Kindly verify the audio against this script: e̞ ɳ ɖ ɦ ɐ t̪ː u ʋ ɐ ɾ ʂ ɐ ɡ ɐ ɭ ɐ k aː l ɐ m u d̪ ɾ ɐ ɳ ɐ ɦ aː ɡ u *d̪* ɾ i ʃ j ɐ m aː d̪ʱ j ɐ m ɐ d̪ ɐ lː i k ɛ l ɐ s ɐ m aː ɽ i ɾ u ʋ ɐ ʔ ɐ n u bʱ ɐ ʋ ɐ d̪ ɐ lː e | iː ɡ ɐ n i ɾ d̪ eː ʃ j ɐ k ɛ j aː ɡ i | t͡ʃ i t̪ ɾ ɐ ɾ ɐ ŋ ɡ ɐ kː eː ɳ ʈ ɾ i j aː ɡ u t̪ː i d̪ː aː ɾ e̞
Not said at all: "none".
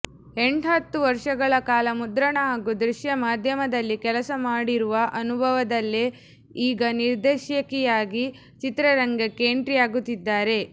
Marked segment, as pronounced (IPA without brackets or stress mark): d̪